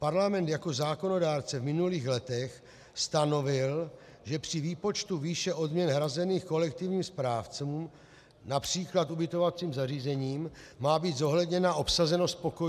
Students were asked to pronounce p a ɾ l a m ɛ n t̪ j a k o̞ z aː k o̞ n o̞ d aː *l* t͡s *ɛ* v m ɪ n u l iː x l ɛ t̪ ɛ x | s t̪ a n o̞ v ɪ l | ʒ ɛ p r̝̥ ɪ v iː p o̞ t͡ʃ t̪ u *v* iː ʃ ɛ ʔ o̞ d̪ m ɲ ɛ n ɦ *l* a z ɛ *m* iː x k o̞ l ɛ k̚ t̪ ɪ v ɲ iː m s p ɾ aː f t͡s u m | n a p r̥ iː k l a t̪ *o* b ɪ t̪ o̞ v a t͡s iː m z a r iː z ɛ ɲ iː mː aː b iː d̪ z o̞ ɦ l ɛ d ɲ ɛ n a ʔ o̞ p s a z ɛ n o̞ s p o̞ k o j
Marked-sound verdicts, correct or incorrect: incorrect: ɾ, correct, correct, incorrect: ɾ, incorrect: n, incorrect: u

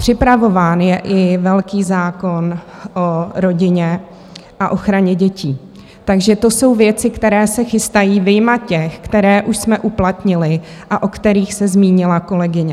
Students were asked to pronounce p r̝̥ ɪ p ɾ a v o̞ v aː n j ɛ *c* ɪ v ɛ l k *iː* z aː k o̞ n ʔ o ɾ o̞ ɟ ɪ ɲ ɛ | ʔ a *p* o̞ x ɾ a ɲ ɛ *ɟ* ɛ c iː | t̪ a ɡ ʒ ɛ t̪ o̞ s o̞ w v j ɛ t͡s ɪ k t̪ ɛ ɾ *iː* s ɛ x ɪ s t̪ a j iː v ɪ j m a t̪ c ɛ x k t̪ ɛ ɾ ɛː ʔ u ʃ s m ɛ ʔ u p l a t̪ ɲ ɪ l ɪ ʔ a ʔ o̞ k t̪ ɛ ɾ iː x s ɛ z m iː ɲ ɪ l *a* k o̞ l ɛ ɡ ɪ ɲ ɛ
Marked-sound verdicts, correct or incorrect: incorrect: ʔ, correct, incorrect: ʔ, correct, incorrect: ɛː, correct

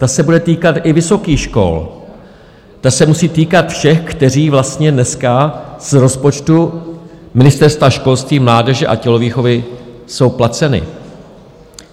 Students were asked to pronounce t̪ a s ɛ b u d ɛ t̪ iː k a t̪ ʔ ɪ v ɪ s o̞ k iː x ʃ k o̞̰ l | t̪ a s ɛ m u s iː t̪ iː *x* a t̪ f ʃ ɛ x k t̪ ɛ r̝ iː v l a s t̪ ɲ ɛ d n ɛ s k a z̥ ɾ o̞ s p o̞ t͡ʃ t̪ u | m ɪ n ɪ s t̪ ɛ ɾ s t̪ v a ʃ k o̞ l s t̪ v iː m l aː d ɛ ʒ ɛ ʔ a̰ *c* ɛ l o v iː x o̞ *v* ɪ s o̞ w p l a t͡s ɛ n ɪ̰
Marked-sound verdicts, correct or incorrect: incorrect: k, correct, correct

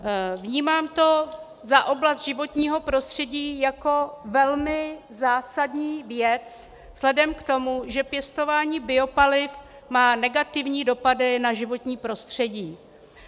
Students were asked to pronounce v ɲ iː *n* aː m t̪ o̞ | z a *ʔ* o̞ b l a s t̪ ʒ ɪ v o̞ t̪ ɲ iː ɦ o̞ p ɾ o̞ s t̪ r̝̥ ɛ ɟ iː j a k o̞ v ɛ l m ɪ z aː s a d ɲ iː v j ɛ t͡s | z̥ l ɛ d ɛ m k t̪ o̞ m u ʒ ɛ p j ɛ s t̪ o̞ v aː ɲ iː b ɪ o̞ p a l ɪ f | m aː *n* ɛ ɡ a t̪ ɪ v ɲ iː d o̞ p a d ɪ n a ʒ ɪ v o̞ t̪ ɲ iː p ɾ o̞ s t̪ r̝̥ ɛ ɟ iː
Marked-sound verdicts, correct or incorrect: incorrect: m, correct, correct

